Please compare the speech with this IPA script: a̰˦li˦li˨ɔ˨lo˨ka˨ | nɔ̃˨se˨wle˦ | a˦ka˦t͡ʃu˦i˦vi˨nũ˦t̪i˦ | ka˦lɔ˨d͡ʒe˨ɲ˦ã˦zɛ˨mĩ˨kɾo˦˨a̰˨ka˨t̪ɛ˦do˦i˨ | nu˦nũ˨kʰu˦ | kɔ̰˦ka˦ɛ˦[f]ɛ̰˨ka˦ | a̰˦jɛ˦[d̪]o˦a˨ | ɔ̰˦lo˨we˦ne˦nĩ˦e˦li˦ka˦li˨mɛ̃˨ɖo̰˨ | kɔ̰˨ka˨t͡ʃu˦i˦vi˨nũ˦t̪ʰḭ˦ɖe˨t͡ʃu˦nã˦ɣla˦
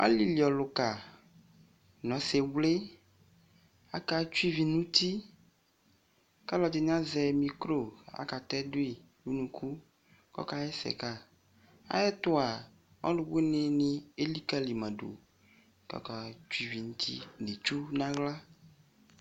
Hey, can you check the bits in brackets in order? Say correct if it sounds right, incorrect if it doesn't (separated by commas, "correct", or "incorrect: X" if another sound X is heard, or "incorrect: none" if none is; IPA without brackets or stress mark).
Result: incorrect: s, incorrect: t̪